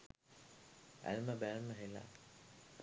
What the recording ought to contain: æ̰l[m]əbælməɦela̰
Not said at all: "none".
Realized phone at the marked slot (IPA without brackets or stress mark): m